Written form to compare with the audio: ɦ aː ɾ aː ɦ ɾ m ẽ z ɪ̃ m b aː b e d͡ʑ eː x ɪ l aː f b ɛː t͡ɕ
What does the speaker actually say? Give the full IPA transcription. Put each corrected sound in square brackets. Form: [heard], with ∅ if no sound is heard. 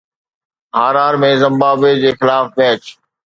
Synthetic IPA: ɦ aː ɾ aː [∅] ɾ m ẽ z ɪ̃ m b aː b e d͡ʑ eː x ɪ l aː f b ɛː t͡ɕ

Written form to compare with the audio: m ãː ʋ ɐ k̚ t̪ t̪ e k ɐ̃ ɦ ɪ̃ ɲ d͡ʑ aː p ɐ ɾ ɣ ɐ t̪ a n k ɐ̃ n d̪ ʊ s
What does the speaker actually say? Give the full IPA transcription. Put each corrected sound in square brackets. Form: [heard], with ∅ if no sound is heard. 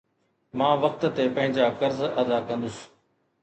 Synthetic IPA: m ãː ʋ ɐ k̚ t̪ t̪ e [p] ɐ̃ ɦ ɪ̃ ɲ d͡ʑ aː [k] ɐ ɾ [z] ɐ [d̪] a [∅] k ɐ̃ n d̪ ʊ s

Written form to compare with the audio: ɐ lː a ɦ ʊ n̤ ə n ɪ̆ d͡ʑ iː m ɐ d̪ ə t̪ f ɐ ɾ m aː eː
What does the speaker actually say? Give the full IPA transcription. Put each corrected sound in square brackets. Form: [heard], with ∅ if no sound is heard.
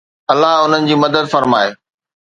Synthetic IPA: ɐ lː a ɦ ʊ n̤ ə n ɪ̆ d͡ʑ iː m ɐ d̪ ə [d̪] f ɐ ɾ m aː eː

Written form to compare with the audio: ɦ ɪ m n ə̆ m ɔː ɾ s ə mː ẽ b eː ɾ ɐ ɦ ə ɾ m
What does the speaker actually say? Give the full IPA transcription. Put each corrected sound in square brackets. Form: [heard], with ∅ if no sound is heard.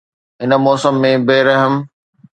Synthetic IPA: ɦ ɪ [∅] n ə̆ m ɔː [∅] s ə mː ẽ b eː ɾ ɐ ɦ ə [∅] m

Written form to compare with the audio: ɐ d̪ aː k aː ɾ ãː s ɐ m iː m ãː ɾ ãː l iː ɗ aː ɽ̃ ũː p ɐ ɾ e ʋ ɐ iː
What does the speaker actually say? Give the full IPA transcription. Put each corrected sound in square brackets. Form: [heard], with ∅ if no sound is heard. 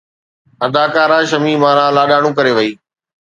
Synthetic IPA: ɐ d̪ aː k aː ɾ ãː [ʃ] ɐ m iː m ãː ɾ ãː l [aː] ɗ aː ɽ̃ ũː [k] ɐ ɾ e ʋ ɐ iː

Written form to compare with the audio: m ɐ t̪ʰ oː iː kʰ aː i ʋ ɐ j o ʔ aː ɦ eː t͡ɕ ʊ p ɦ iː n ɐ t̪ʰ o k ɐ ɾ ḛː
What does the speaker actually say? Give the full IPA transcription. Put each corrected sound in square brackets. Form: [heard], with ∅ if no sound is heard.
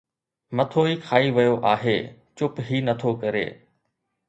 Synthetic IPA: m ɐ t̪ʰ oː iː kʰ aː i ʋ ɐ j o ʔ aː ɦ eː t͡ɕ ʊ p ɦ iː n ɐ t̪ʰ o k ɐ ɾ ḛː

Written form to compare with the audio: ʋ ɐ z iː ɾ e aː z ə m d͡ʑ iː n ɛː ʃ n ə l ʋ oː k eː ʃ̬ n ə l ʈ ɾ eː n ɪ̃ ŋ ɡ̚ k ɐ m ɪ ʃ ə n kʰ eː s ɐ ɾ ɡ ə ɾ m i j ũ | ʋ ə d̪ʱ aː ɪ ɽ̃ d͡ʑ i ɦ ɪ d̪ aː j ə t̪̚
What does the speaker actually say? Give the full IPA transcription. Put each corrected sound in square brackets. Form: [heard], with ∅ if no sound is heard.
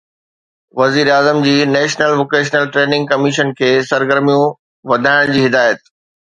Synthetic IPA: ʋ ɐ z iː ɾ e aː z ə m d͡ʑ iː n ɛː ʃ n ə l ʋ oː k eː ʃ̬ n ə l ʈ ɾ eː n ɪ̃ ŋ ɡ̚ k ɐ m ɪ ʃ ə n kʰ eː s ɐ ɾ ɡ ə ɾ m i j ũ | ʋ [ɐ] d̪ʱ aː ɪ ɽ̃ d͡ʑ [iː] ɦ ɪ d̪ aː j ə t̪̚

